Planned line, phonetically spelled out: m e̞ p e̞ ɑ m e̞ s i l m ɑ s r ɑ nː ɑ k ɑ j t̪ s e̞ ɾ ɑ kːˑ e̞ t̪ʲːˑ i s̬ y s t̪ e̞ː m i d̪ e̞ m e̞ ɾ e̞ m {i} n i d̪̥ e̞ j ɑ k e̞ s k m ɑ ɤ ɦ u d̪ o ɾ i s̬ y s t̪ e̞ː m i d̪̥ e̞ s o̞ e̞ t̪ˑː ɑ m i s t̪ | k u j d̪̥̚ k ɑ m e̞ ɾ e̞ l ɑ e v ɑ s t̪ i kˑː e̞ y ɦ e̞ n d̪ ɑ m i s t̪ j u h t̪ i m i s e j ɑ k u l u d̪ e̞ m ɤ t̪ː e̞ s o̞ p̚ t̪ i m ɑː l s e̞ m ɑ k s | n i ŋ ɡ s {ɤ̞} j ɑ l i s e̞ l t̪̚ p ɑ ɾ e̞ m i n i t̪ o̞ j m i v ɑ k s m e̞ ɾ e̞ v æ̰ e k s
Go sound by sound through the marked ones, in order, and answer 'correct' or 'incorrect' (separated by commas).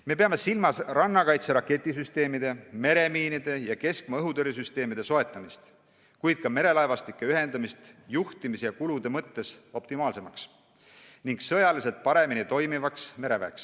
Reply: incorrect, correct